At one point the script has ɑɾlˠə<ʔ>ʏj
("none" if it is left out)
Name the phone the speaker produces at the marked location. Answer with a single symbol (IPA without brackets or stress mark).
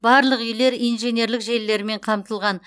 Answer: q